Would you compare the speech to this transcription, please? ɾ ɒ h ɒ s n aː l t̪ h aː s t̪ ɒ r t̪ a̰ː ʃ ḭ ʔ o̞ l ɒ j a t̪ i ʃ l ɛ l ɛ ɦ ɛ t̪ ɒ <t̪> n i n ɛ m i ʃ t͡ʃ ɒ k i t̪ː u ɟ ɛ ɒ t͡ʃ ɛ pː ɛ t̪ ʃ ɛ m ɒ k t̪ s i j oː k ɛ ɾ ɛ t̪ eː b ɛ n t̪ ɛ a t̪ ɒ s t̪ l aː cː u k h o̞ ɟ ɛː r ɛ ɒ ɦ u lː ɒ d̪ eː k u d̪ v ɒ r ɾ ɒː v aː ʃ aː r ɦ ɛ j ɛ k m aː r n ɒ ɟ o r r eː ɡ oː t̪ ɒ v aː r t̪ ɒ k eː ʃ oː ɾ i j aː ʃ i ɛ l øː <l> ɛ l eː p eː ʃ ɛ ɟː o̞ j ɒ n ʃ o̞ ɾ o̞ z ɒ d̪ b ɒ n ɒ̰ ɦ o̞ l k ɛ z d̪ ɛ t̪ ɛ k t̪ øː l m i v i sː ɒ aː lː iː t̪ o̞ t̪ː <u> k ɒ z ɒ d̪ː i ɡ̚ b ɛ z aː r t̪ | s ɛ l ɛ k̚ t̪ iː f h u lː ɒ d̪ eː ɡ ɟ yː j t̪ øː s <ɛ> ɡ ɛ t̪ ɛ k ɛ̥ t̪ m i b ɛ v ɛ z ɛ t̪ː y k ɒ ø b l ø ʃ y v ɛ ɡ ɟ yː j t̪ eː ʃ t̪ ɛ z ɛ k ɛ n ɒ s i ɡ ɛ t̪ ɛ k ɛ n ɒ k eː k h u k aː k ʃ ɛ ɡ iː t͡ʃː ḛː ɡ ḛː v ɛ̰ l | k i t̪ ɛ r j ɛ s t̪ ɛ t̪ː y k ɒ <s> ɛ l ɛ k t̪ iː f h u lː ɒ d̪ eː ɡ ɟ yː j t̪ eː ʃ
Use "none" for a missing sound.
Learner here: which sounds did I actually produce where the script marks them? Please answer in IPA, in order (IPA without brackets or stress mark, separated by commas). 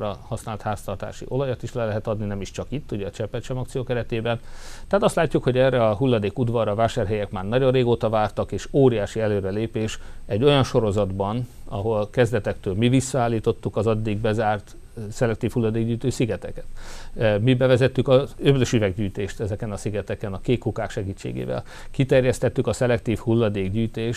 d̪, ɾ, u, i, s